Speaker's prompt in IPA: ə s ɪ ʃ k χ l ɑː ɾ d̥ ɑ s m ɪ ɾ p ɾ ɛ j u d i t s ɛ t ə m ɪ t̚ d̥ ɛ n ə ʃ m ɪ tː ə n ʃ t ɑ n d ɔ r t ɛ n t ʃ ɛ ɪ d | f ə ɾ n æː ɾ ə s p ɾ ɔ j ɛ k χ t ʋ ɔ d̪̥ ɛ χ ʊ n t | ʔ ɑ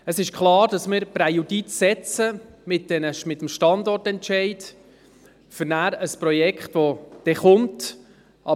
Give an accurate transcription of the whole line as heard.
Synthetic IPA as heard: ə s ɪ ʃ k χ l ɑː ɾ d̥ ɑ s m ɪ ɾ p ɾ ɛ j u d i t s ɛ t͡s ə m ɪ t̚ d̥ ɛ n ə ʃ m ɪ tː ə m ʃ t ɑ n d ɔ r t ɛ n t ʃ ɛ ɪ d | f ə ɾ n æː ɾ ə s p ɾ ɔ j ɛ k χ t ʋ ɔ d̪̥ ɛ χ ʊ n t | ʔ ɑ